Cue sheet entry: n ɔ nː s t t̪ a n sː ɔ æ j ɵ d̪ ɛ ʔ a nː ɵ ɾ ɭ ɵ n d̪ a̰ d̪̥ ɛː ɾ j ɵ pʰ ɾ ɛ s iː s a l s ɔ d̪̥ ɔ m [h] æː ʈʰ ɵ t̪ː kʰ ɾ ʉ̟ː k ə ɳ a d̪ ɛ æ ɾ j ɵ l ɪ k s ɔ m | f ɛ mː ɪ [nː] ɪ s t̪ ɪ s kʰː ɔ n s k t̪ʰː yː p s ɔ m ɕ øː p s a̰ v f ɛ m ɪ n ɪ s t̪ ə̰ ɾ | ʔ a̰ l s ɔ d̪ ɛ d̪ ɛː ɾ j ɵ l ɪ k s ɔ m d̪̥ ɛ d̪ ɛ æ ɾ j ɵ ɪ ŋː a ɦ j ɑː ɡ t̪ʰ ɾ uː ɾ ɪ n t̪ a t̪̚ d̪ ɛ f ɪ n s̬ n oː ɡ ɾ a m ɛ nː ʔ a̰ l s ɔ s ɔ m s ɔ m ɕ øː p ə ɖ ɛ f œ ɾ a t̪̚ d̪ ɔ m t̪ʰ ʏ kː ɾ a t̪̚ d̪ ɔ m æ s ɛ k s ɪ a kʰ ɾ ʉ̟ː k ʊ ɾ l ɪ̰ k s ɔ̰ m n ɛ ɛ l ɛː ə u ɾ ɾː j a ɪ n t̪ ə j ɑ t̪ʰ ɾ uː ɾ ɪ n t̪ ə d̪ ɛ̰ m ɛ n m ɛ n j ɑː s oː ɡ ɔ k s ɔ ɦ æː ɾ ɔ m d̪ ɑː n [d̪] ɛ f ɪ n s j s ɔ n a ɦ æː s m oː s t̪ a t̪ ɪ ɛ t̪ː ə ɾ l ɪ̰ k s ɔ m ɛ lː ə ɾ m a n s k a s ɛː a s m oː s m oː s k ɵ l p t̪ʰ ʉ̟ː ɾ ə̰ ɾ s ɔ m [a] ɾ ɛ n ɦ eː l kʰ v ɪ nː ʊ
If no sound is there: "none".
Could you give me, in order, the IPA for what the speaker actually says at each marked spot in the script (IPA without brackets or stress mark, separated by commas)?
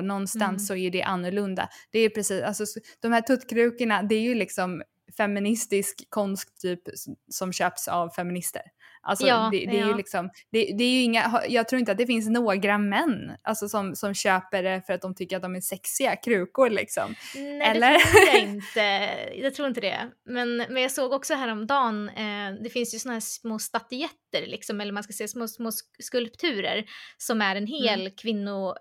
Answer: h, n, d̪, æ